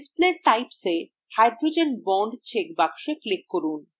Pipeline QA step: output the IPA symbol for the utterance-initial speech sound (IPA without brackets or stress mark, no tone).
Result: s